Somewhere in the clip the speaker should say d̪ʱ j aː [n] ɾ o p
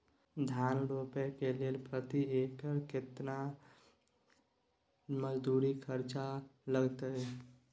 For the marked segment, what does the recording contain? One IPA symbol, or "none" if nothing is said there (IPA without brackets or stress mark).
n